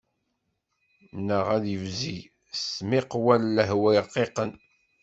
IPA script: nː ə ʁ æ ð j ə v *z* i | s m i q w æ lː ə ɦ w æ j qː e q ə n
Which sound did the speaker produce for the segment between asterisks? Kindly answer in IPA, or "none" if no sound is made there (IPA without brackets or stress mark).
z